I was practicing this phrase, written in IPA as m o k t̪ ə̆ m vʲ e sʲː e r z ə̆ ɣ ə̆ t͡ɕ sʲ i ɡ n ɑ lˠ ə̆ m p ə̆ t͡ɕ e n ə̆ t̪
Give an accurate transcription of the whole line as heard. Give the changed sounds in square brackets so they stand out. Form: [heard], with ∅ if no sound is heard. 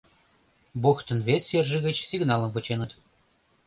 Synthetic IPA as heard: [b] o [x] t̪ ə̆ [n] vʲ e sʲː e r [ʒ] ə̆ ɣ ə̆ t͡ɕ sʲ i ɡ n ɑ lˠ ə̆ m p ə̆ t͡ɕ e n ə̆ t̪